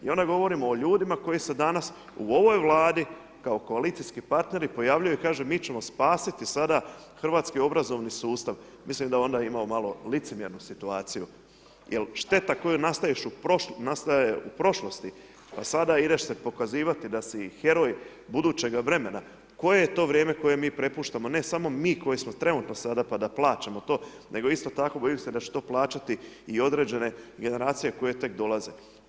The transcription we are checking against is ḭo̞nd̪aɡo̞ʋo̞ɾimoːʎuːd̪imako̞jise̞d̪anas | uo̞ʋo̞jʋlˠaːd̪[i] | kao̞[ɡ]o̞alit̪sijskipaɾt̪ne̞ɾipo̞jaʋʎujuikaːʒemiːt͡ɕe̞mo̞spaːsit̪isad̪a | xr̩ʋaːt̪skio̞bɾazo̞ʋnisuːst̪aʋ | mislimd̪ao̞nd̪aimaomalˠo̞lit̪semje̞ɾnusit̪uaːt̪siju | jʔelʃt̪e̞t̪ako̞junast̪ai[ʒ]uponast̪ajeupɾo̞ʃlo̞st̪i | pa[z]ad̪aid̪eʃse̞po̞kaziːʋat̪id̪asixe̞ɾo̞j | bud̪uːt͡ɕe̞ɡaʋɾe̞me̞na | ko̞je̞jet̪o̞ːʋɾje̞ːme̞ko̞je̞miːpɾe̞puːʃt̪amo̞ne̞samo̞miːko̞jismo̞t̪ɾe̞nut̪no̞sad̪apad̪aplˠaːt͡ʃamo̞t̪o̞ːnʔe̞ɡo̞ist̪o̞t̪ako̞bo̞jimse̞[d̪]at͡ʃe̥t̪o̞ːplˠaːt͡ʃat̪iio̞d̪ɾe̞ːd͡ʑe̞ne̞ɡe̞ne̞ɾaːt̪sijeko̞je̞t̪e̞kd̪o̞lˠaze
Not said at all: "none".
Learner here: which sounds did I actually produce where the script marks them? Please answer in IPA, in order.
i, k, ʃ, s, d̪

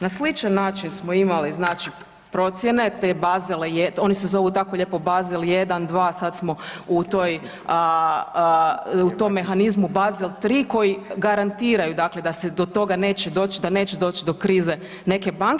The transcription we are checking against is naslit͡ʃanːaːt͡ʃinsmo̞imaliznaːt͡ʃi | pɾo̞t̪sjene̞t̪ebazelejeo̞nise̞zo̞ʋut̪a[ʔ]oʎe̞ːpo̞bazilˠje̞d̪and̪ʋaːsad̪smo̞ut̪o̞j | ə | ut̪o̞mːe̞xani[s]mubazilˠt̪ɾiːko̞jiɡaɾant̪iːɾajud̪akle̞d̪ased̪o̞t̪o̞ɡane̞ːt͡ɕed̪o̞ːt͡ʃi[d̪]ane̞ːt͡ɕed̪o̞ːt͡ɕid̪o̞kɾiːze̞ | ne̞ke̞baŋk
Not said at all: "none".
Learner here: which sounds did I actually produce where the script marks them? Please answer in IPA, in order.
k, z, d̪

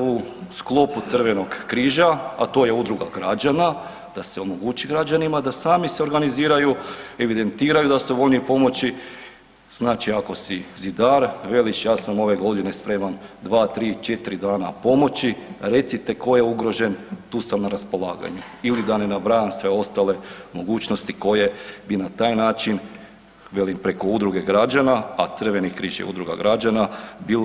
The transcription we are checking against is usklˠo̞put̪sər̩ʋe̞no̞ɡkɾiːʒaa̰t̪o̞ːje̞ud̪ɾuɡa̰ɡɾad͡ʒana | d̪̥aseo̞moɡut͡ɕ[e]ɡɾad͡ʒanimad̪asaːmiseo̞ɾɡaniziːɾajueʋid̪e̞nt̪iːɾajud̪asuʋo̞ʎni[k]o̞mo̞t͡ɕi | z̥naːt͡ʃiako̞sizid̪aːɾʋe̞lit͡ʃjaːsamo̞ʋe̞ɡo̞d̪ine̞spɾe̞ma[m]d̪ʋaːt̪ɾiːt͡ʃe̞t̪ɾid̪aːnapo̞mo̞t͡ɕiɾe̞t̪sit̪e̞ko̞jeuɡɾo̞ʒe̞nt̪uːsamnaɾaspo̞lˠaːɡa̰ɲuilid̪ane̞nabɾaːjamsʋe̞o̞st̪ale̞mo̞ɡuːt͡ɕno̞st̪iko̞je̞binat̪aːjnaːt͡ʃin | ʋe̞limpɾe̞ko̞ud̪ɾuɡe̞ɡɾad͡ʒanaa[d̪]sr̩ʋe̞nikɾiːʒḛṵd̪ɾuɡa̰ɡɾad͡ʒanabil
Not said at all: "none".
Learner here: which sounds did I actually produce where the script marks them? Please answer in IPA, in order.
i, p, n, t̪

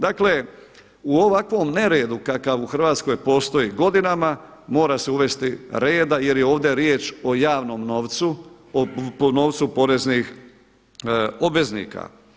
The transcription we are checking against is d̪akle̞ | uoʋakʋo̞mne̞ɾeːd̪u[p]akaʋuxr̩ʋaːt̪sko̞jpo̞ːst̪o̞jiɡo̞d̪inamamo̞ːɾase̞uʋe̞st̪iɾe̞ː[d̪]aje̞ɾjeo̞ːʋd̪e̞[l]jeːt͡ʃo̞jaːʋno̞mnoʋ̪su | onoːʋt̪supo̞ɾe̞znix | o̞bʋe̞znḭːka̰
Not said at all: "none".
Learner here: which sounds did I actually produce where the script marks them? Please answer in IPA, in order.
k, d̪, ɾ

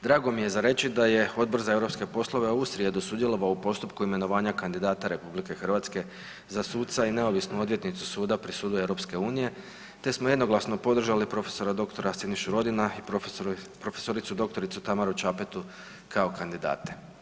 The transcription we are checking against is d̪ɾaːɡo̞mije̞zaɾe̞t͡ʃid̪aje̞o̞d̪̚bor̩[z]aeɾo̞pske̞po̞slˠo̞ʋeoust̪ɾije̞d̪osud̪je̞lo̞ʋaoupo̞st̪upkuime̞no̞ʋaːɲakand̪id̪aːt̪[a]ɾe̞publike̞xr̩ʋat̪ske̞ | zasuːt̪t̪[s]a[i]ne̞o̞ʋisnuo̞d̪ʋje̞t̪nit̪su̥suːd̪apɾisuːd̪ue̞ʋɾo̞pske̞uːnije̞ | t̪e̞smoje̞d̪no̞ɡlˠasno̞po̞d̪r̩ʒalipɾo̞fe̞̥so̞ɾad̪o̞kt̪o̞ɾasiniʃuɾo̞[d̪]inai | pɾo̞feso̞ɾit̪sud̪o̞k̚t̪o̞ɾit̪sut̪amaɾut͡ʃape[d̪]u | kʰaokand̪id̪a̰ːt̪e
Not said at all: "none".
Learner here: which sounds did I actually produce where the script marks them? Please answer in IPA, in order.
z, a, s, i, d̪, t̪

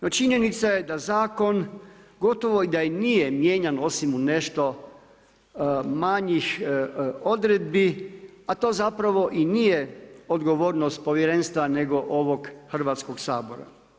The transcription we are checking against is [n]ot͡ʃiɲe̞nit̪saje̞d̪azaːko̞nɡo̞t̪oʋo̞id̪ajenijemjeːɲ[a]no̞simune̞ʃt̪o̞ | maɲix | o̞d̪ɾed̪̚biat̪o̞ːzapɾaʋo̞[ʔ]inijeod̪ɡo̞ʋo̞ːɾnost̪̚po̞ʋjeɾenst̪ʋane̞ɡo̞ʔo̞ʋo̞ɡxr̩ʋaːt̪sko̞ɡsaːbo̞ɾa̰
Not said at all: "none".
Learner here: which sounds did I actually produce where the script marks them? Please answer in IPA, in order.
n, a, ʔ

